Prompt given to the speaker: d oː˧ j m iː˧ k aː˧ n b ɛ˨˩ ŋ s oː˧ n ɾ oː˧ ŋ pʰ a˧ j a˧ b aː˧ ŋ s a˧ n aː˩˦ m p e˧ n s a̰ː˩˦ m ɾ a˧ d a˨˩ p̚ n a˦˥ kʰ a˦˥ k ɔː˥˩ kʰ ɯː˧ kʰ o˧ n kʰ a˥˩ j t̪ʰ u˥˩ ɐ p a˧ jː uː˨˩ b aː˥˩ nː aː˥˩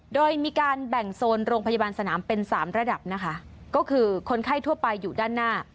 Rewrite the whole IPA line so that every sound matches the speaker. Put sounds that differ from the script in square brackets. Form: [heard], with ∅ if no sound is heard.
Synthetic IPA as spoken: d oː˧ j m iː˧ k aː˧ n b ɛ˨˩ ŋ s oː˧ n ɾ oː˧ ŋ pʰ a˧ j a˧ b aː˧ [n] s a˧ n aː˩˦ m p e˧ n s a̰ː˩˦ m ɾ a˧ d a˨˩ p̚ n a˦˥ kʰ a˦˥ k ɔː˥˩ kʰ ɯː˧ kʰ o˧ n kʰ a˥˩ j t̪ʰ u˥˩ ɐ p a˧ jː uː˨˩ [d] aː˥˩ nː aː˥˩